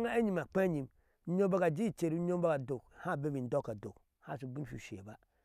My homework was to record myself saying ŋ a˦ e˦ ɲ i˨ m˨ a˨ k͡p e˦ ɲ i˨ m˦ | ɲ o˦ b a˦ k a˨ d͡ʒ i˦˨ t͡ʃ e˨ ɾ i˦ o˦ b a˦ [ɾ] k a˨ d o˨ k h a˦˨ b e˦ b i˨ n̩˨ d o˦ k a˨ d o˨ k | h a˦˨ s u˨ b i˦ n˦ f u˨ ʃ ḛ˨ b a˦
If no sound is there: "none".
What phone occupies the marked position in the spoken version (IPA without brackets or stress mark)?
none